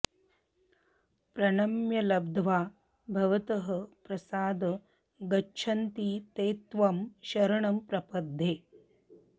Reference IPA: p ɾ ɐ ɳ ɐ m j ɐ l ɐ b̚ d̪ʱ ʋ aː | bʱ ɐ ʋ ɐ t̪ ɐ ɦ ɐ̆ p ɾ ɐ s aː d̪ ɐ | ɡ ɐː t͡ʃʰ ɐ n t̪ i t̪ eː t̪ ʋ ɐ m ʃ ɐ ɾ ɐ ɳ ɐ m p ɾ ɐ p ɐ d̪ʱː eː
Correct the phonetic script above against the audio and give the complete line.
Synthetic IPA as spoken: p ɾ ɐ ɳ ɐ m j ɐ l ɐ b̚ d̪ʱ ʋ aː | bʱ ɐ ʋ ɐ t̪ ɐ ɦ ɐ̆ p ɾ ɐ s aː d̪ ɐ | ɡ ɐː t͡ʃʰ ɐ n t̪ i t̪ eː t̪ ʋ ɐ m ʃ ɐ ɾ ɐ ɳ ɐ m p ɾ ɐ p ɐ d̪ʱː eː